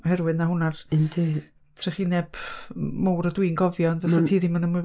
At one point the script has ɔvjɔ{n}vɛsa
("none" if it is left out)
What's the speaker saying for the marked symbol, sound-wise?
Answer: n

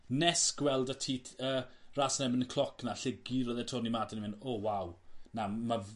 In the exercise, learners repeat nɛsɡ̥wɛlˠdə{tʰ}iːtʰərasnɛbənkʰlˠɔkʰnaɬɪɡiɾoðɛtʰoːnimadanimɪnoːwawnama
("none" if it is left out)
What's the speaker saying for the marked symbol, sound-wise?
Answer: tʰ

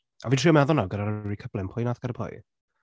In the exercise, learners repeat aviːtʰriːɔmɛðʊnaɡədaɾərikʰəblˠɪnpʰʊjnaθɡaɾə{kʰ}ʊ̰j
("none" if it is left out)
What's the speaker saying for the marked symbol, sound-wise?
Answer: pʰ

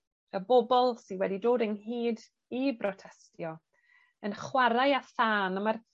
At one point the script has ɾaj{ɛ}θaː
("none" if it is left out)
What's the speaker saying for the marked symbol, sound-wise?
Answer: a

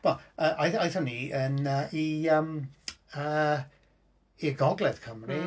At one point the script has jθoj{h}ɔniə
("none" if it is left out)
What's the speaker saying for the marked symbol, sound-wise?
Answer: θ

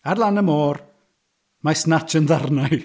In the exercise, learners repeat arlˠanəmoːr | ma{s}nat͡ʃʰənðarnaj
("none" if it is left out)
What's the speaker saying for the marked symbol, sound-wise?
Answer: s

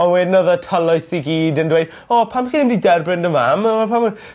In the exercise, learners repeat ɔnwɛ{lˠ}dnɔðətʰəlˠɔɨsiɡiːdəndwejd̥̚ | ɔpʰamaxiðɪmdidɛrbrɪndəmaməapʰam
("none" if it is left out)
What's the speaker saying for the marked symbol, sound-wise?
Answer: none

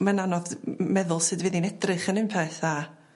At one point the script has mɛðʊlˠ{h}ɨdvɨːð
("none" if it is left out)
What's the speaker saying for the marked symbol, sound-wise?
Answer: s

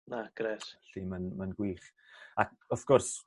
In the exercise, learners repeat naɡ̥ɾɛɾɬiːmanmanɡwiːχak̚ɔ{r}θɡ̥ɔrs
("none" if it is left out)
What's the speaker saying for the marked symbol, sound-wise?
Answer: none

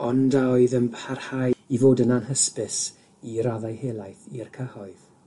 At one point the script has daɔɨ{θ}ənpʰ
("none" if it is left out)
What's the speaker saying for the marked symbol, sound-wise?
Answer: ð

